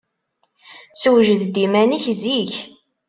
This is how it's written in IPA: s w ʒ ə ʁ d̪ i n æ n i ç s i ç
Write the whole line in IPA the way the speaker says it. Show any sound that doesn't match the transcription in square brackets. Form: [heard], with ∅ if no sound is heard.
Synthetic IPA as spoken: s w ʒ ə [ð] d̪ i [m] æ n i ç [z] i ç

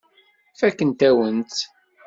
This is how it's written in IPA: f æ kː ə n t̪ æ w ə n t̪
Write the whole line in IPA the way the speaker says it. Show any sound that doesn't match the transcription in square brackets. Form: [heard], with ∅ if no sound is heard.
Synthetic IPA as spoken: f æ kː ə n t̪ æ w ə n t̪

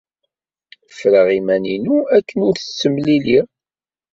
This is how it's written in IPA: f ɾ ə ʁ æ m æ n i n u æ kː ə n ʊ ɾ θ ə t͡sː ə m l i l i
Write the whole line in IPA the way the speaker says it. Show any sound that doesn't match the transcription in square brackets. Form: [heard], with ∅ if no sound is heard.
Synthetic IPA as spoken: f ɾ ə ʁ [i] m æ n i n u æ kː ə n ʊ ɾ θ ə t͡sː ə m l i l i

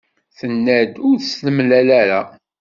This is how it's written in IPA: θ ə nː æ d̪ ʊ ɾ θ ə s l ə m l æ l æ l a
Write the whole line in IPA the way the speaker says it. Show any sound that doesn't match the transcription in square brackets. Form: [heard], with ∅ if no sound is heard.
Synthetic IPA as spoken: θ ə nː æ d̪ ʊ ɾ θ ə s l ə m l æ l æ [ɾ] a

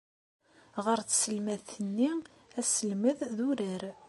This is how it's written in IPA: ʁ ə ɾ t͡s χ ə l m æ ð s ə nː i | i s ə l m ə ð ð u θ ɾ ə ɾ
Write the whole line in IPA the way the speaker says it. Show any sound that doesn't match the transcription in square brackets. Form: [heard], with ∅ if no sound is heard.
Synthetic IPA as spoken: ʁ ə ɾ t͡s [s] ə l m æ ð [θ] ə nː i | [æ] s ə l m ə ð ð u [∅] ɾ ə ɾ

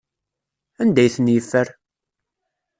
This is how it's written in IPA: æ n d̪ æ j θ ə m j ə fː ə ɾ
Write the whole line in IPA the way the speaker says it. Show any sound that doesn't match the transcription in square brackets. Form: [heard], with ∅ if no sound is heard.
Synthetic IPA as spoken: æ n d̪ æ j θ ə [n] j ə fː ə ɾ

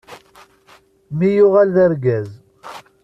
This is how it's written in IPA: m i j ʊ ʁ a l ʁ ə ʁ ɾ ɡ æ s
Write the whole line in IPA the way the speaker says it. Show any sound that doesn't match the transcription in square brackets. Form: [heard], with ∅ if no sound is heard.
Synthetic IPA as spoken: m i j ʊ ʁ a l [ð] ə [∅] ɾ ɡ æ [z]

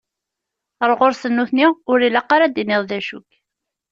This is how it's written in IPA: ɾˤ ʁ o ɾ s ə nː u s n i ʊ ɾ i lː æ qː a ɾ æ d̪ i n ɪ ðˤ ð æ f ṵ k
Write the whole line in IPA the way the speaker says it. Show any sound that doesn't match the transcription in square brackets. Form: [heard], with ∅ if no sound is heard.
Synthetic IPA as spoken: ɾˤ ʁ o ɾ s ə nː u [θ] n i ʊ ɾ i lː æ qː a ɾ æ d̪ i n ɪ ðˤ ð æ [ʃ] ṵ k

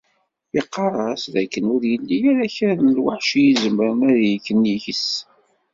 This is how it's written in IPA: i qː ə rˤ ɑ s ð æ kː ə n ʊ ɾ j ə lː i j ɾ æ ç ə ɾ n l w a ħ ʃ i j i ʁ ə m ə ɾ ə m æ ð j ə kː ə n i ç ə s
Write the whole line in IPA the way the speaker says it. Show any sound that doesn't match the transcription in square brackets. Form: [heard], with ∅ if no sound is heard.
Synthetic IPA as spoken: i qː [ɑ] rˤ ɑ s ð æ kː ə n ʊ ɾ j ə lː i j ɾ æ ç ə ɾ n l w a ħ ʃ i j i [z] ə m ə ɾ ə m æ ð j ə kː ə n i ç ə s

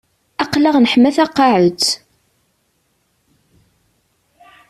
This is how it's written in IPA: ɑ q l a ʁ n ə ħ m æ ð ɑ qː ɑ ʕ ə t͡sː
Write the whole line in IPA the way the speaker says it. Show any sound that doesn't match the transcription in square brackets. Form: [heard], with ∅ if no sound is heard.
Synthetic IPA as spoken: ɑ q l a ʁ n ə ħ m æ [θ] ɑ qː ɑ ʕ ə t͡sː

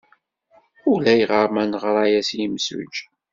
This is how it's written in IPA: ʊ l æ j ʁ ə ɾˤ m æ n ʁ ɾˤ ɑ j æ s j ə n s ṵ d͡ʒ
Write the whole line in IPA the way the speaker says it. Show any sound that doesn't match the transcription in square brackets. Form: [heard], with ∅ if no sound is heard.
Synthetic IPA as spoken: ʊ l æ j ʁ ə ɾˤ m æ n ʁ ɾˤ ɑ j æ s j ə [m] s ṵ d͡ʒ

